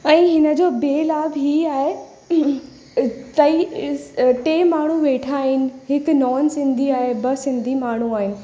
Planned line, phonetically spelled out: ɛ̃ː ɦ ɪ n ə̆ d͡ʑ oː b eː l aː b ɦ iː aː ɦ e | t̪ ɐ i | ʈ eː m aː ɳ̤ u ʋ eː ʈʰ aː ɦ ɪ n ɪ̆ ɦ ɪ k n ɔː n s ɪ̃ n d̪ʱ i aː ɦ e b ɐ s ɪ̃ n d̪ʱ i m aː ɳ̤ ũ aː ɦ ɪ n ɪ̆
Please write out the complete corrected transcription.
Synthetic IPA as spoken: ɛ̃ː ɦ ɪ n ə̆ d͡ʑ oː b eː l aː b ɦ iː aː ɦ e | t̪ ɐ i | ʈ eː m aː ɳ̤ u ʋ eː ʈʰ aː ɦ ɪ n ɪ̆ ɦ ɪ k n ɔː n s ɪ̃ n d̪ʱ i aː ɦ e b ɐ s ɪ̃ n d̪ʱ i m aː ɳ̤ u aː ɦ ɪ n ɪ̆